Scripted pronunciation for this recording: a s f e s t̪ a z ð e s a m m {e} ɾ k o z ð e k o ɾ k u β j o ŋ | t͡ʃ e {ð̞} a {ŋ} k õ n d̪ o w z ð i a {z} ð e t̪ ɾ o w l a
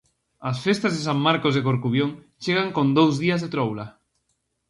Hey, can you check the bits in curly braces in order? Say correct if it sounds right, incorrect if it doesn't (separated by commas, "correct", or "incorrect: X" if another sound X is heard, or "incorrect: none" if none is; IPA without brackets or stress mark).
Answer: incorrect: a, incorrect: ɣ̞, correct, correct